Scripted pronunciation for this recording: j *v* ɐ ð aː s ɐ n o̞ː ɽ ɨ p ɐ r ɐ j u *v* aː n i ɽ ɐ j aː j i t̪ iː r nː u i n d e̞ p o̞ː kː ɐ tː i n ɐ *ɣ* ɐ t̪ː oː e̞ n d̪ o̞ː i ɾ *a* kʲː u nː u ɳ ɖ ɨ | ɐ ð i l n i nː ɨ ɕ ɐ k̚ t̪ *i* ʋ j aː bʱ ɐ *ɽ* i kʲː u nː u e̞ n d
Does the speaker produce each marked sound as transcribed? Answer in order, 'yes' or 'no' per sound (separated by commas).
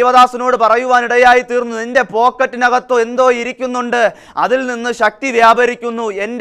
no, no, yes, no, yes, no